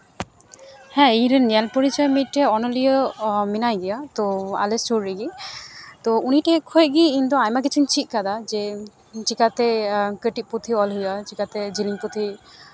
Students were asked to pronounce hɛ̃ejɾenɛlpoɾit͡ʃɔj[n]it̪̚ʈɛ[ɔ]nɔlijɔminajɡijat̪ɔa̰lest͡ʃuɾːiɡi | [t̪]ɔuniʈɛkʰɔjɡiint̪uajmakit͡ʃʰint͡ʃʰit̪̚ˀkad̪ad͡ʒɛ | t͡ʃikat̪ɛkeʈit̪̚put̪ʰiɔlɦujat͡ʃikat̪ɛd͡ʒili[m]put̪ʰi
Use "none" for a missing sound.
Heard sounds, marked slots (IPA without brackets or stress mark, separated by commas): m, ɔ, t̪, ŋ